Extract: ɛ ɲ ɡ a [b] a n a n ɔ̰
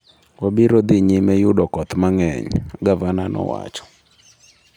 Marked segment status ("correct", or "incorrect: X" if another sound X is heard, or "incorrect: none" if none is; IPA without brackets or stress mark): incorrect: v